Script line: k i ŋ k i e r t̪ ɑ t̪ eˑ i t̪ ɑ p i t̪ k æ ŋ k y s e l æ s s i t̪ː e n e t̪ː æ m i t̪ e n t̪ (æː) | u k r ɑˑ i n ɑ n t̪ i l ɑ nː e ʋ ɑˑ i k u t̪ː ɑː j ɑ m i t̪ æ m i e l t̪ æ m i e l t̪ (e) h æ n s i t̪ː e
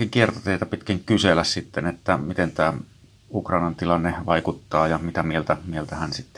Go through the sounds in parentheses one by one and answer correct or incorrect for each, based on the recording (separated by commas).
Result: correct, incorrect